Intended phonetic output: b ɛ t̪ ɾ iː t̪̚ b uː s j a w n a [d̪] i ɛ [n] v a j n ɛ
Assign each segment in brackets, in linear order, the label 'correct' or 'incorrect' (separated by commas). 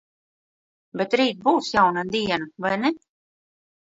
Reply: correct, correct